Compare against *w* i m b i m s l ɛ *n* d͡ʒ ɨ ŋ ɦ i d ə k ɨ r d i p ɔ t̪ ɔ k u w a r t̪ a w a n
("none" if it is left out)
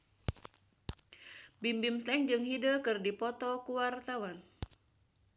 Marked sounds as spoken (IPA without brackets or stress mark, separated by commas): b, ŋ